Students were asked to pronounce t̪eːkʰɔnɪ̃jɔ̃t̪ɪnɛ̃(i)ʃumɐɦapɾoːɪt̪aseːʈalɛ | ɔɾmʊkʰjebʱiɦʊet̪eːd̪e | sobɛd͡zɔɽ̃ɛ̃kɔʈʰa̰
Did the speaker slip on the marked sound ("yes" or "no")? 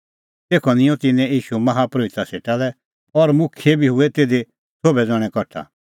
yes